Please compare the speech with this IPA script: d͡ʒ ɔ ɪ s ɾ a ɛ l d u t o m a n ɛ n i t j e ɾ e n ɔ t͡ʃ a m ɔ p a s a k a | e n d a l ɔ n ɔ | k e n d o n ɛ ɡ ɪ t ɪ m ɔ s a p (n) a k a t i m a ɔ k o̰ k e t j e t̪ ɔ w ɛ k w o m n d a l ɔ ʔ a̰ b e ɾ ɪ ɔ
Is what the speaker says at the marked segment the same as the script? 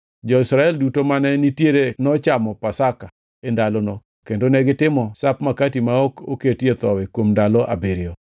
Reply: no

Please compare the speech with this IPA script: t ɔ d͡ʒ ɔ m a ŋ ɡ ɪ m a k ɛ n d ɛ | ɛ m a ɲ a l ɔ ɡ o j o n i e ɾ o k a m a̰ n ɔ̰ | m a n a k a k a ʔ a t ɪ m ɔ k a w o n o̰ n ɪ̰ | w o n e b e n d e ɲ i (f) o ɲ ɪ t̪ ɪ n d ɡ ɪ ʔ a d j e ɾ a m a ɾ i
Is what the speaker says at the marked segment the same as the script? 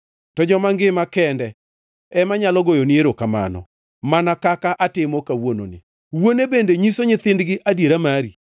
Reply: no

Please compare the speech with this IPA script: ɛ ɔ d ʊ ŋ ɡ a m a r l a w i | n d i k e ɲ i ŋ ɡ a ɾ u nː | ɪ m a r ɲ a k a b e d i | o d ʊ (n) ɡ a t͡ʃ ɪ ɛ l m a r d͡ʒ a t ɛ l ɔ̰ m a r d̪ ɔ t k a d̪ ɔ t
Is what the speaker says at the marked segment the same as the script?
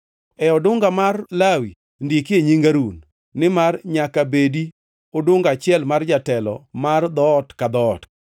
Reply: no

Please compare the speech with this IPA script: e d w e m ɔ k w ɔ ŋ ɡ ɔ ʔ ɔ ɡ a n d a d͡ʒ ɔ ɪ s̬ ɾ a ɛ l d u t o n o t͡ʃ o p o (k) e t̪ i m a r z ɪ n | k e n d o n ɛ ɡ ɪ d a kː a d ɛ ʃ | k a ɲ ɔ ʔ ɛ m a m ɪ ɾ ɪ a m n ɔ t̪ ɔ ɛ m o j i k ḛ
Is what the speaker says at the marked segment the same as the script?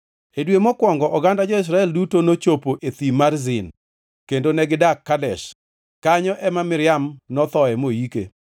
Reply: no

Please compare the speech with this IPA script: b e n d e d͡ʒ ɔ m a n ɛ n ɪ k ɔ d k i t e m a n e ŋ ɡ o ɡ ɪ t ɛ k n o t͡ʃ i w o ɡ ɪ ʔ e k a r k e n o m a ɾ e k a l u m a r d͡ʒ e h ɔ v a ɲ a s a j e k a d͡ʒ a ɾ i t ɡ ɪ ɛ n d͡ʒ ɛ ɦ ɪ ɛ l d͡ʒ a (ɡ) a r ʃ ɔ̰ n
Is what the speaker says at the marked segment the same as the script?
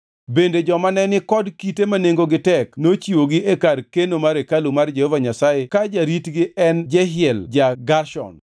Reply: yes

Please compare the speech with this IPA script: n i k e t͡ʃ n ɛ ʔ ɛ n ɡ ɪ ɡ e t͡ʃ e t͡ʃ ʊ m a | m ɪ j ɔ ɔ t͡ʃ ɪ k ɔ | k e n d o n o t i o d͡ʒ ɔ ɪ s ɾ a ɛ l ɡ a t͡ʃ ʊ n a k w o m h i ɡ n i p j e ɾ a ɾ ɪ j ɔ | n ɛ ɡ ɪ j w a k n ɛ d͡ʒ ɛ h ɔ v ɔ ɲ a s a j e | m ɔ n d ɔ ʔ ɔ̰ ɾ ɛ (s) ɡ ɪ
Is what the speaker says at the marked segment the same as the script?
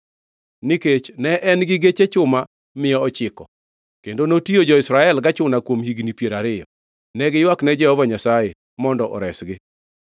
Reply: yes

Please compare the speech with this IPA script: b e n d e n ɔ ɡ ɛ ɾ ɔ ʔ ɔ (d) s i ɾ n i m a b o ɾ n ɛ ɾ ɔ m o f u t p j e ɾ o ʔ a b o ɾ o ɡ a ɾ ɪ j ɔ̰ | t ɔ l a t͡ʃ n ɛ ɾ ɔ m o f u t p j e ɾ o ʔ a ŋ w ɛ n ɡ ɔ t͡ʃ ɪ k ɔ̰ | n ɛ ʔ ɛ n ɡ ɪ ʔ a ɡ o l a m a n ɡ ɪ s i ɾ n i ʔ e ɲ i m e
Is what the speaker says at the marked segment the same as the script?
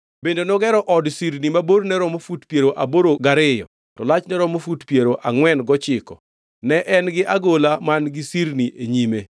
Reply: yes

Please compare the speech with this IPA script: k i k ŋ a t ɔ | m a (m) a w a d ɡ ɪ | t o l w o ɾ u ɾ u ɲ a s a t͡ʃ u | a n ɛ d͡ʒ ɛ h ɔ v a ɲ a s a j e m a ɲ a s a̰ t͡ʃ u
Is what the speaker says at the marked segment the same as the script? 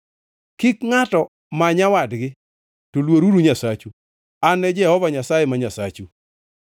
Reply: no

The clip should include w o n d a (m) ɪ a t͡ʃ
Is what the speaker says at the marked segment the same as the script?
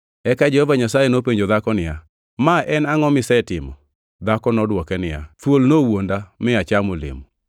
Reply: yes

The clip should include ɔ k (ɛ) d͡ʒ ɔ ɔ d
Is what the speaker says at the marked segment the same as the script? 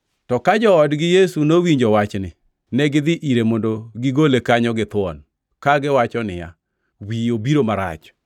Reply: no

